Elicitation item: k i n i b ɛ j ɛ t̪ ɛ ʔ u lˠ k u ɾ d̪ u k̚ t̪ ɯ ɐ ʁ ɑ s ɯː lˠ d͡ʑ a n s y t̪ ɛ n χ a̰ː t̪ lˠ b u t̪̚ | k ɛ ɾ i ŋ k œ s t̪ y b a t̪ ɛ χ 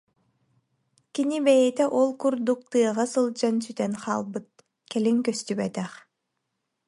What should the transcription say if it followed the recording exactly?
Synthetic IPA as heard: k i n i b ɛ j ɛ t̪ ɛ ʔ ɔ lˠ k u ɾ d̪ u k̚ t̪ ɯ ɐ ʁ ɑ s ɯ lˠ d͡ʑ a n s y t̪ ɛ n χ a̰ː lˠ b ɯ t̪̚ | k ɛ l i ŋ k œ s t̪ y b ɛ t̪ ɛ χ